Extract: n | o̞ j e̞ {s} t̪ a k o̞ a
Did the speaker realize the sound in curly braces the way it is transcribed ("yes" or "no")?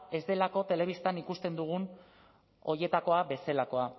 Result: no